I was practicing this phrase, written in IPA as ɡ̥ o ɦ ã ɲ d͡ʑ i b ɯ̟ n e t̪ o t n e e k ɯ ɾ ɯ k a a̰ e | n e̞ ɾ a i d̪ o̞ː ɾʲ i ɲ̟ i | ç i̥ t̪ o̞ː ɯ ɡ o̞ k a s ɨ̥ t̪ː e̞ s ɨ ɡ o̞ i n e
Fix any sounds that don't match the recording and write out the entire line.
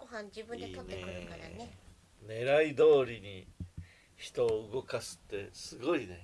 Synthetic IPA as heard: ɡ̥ o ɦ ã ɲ d͡ʑ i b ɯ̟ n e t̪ o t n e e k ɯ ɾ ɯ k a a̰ e | n e̞ ɾ a i d̪ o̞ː ɾʲ i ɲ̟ i | ç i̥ t̪ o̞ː ɯ ɡ o̞ k a s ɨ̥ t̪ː e̞ s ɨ ɡ o̞ i n e